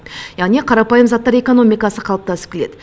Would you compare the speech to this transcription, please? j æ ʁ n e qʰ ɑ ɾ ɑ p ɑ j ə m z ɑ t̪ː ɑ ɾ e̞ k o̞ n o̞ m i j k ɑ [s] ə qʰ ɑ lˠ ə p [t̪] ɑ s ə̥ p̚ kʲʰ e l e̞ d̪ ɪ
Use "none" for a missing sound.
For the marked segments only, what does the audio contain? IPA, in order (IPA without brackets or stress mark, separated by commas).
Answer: s, t̪